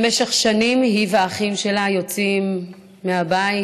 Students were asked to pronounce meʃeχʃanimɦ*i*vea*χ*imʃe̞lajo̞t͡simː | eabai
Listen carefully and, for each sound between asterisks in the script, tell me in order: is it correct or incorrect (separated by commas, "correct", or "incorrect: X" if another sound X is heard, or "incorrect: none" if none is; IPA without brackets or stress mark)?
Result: correct, correct